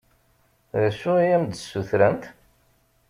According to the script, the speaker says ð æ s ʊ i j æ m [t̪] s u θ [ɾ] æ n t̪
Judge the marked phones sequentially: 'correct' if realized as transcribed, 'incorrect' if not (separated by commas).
incorrect, correct